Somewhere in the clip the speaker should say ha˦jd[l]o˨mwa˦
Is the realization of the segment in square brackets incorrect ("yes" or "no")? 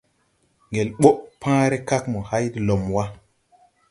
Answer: no